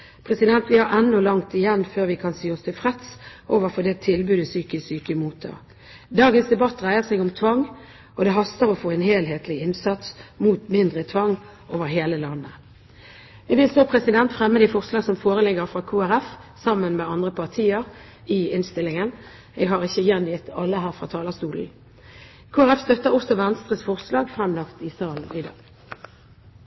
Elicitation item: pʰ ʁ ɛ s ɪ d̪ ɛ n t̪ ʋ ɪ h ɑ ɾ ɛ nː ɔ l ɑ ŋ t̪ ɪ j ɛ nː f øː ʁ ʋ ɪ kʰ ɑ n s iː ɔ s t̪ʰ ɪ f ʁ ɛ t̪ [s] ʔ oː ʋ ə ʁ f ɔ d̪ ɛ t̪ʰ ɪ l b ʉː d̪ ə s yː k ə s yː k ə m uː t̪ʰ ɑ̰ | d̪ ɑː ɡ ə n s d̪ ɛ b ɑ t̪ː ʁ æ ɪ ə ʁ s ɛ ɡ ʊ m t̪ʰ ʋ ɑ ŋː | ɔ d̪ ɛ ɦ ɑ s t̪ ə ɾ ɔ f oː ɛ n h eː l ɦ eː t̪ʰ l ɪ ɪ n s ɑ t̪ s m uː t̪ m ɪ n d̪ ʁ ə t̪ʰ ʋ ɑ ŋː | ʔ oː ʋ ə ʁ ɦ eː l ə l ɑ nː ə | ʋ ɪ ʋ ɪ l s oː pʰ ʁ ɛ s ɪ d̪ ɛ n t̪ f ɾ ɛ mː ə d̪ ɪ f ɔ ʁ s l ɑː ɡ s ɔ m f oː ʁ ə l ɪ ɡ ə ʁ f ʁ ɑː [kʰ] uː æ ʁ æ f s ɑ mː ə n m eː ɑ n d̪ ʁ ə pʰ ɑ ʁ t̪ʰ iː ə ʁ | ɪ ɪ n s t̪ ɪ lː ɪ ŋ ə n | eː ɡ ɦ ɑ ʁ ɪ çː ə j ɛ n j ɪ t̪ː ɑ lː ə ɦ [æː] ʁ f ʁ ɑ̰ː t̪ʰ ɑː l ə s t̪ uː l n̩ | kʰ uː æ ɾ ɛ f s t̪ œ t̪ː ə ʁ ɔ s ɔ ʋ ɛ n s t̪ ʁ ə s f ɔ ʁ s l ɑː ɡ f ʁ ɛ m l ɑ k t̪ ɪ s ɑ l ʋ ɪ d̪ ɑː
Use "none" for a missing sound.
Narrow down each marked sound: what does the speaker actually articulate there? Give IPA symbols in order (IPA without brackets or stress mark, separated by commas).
s, kʰ, æː